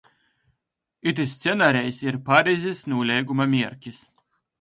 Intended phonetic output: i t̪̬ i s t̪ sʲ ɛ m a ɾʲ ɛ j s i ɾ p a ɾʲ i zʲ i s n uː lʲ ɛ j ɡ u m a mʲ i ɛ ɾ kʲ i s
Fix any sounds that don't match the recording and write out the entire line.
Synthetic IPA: i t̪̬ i s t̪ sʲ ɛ n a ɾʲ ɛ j s i ɾ p a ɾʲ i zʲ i s n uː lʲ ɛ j ɡ u m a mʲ i ɛ ɾ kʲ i s